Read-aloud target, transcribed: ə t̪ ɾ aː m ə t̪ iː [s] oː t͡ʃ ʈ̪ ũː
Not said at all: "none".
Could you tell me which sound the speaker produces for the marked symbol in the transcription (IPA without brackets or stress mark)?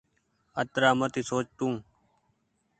s